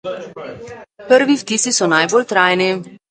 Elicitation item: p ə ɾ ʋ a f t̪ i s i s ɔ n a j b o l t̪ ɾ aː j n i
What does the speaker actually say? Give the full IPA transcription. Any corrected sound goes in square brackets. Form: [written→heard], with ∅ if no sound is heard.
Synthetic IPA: p ə ɾ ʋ [a→i] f t̪ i s i s ɔ n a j b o l t̪ ɾ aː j n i

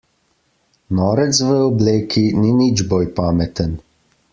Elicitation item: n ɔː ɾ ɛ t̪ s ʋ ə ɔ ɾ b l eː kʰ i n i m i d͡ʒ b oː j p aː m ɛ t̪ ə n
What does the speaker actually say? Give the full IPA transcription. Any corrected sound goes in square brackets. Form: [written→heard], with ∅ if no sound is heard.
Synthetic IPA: n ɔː ɾ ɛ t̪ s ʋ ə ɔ [ɾ→∅] b l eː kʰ i n i [m→n] i d͡ʒ b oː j p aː m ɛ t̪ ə n

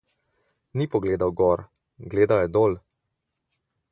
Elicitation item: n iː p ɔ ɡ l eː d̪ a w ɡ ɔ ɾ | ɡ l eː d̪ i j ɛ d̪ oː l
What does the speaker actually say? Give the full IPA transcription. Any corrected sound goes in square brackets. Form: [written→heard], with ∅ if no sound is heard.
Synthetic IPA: n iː p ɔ ɡ l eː d̪ a w ɡ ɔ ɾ | ɡ l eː d̪ [i→a] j ɛ d̪ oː l

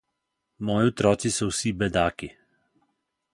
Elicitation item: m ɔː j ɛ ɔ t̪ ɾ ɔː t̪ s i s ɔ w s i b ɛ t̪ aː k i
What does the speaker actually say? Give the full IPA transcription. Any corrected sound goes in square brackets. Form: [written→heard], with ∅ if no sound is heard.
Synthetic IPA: m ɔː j [ɛ→i] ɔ t̪ ɾ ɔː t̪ s i s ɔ w s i b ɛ [t̪→d̪] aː k i

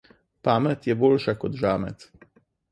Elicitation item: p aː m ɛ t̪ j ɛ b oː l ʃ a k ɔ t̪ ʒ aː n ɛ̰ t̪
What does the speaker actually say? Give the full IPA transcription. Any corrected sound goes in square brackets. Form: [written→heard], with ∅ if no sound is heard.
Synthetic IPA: p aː m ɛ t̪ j ɛ b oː l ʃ a k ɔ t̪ ʒ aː [n→m] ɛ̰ t̪

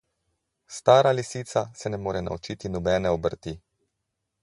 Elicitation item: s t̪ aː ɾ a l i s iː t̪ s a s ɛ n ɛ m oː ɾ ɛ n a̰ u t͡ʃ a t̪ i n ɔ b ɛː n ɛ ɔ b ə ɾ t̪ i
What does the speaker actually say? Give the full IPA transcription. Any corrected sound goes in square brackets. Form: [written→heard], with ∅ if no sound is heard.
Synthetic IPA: s t̪ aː ɾ a l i s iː t̪ s a s ɛ n ɛ m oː ɾ ɛ n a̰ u t͡ʃ [a→i] t̪ i n ɔ b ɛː n ɛ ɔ b ə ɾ t̪ i

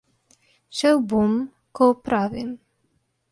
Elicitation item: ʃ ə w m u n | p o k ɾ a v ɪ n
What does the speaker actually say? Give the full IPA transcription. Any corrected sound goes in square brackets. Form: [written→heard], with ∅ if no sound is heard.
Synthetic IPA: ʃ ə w [m→b] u [n→m] | [p→k] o [k→p] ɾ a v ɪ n

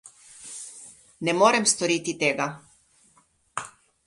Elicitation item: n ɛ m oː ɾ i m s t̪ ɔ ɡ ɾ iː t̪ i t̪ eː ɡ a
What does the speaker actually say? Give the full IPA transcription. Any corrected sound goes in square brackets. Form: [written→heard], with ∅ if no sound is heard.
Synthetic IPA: n ɛ m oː ɾ [i→ɛ] m s t̪ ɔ [ɡ→∅] ɾ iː t̪ i t̪ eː ɡ a

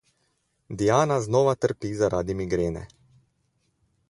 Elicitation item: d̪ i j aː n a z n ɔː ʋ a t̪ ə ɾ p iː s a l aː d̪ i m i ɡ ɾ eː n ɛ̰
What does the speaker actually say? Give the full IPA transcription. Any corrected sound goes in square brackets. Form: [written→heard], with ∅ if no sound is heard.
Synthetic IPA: d̪ i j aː n a z n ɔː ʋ a t̪ ə ɾ p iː [s→z] a [l→ɾ] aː d̪ i m i ɡ ɾ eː n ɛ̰

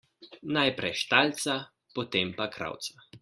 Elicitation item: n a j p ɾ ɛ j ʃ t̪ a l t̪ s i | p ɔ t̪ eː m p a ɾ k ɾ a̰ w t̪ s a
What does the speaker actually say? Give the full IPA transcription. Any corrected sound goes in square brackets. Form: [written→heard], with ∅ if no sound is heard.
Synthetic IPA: n a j p ɾ ɛ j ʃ t̪ a l t̪ s [i→a] | p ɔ t̪ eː m p a [ɾ→∅] k ɾ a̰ w t̪ s a

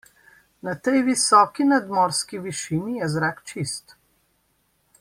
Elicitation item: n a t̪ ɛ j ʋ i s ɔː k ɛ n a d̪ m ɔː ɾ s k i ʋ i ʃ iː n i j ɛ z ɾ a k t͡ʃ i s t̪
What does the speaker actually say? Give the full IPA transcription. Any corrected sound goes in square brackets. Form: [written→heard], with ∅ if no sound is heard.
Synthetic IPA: n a t̪ ɛ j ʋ i s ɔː k [ɛ→i] n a d̪ m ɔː ɾ s k i ʋ i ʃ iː n i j ɛ z ɾ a k t͡ʃ i s t̪

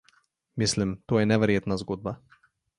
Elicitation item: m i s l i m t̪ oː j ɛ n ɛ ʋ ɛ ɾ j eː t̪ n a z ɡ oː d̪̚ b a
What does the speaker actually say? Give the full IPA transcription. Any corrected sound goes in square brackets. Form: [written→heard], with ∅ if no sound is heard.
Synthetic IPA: m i s l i m t̪ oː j ɛ n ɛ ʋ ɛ ɾ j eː t̪ n a z ɡ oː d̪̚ b a

